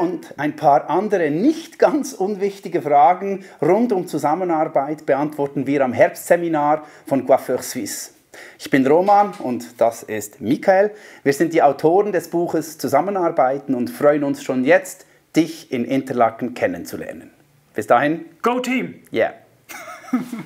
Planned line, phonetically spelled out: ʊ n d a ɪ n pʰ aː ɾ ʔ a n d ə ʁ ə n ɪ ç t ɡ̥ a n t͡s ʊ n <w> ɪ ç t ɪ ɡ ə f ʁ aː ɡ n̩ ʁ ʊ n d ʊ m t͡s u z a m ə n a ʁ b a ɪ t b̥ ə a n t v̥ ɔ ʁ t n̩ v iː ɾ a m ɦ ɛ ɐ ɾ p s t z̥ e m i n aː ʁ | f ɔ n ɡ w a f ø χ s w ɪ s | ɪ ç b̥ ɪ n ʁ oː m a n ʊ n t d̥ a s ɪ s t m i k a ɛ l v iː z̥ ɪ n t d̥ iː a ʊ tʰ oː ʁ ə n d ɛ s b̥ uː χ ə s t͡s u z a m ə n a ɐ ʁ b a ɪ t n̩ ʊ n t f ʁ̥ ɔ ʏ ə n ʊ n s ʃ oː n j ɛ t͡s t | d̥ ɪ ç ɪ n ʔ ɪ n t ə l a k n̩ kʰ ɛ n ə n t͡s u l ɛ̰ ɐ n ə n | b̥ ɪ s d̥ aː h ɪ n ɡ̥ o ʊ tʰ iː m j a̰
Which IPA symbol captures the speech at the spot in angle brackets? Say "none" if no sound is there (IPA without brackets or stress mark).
v